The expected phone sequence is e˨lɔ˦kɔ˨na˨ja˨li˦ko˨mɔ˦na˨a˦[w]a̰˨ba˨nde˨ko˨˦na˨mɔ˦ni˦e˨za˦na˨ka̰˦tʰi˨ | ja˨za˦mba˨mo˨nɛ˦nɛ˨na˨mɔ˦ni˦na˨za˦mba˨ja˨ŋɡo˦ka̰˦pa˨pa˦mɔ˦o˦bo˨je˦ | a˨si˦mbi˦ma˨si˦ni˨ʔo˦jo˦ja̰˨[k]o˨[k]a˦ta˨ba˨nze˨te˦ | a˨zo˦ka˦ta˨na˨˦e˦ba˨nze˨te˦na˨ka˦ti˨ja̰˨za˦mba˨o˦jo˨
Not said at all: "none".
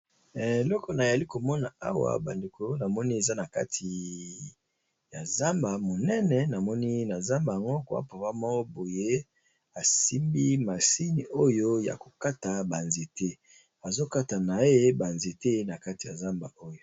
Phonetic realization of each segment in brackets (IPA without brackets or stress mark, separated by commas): w, k, k